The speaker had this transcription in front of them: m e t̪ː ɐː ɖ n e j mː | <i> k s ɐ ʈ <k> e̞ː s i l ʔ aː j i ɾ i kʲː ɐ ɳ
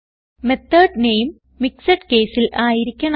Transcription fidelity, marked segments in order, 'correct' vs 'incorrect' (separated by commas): correct, correct